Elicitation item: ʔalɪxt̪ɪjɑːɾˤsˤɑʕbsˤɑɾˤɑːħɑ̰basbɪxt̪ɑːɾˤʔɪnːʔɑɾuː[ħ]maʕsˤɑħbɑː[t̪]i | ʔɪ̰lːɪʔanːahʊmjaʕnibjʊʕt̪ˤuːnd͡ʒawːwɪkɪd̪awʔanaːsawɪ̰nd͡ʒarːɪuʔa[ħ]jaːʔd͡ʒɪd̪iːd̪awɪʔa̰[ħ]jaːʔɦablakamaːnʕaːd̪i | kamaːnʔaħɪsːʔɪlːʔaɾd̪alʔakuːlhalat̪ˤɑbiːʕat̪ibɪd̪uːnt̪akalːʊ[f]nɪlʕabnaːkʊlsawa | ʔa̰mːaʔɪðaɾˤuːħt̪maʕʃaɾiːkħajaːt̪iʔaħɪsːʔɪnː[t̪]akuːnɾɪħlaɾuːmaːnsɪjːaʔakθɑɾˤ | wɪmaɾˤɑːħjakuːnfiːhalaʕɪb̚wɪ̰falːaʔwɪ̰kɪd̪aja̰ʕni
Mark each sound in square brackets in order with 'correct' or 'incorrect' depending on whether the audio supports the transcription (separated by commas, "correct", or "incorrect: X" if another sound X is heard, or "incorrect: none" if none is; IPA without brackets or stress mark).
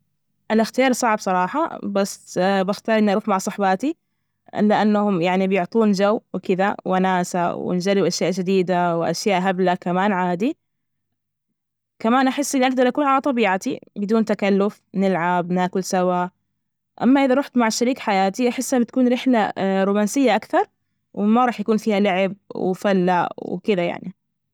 incorrect: f, correct, incorrect: ʃ, incorrect: ʃ, correct, correct